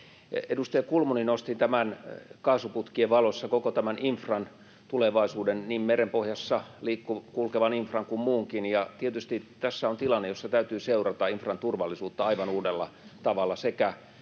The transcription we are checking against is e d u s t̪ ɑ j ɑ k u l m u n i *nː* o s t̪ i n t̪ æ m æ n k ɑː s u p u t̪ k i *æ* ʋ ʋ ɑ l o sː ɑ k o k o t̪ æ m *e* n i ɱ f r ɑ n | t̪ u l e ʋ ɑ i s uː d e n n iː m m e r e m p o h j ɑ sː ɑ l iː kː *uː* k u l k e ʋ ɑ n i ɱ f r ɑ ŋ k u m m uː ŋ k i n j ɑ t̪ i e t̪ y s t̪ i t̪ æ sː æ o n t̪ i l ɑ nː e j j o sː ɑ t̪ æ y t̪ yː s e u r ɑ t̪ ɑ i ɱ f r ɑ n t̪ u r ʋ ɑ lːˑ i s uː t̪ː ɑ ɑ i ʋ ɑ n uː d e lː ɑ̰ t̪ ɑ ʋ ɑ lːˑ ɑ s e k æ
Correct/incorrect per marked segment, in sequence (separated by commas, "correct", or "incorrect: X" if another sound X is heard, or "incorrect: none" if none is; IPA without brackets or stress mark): incorrect: n, incorrect: e, incorrect: æ, incorrect: u